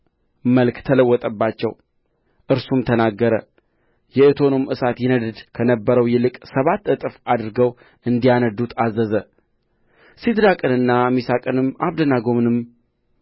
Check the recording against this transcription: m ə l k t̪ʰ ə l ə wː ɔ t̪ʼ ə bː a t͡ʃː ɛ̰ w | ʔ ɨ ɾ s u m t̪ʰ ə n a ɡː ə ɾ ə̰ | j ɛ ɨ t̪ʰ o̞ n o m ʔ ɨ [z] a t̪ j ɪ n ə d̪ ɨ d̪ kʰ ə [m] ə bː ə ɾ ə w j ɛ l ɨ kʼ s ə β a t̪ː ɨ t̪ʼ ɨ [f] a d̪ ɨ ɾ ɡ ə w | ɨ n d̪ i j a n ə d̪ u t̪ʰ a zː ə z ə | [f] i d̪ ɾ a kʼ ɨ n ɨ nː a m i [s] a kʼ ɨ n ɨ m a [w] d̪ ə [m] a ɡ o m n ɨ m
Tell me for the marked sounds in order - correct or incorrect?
incorrect: s, incorrect: n, correct, incorrect: s, correct, incorrect: β, incorrect: n

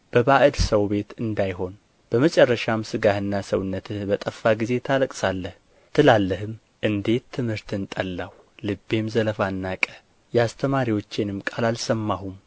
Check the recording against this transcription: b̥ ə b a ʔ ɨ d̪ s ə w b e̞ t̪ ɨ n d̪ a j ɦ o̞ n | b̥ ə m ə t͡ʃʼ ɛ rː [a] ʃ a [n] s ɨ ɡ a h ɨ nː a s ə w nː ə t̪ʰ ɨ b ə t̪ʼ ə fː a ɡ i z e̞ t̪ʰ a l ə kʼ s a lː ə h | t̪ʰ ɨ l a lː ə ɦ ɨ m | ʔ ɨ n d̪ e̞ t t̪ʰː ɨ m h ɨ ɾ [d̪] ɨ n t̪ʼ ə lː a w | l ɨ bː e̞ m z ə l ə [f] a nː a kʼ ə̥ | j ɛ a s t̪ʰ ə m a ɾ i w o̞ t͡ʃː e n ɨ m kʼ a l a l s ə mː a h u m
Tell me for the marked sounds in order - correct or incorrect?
incorrect: ə, incorrect: m, incorrect: t̪, correct

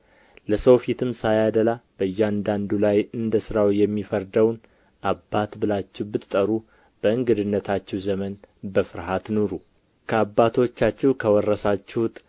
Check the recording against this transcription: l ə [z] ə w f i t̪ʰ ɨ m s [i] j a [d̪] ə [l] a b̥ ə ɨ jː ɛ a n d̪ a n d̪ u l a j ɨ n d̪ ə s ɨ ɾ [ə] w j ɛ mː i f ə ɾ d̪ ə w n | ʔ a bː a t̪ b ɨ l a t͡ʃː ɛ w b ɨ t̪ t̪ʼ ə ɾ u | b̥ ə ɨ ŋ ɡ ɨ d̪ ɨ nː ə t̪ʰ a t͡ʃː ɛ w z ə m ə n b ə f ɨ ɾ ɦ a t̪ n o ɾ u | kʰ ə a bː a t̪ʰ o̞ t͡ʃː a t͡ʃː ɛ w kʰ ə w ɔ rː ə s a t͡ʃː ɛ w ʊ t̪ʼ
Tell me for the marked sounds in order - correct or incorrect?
incorrect: s, incorrect: a, correct, correct, incorrect: a

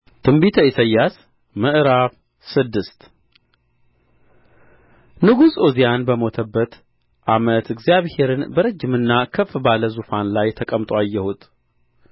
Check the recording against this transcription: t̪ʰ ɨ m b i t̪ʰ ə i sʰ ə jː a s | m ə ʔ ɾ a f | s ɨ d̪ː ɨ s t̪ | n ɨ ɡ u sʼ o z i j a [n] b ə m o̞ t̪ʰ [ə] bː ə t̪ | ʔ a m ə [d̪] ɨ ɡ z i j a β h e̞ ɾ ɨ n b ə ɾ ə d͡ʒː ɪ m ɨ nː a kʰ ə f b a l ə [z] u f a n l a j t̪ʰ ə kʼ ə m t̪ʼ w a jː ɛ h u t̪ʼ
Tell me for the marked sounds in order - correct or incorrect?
correct, correct, incorrect: t̪, correct

